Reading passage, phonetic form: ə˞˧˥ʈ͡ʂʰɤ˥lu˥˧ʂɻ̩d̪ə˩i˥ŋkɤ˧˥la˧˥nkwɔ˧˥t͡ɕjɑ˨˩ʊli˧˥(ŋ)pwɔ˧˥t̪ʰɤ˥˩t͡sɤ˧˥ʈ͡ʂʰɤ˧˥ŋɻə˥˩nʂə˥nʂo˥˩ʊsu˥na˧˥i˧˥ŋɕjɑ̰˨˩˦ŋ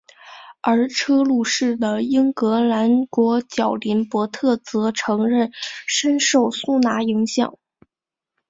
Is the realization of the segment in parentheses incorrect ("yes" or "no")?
yes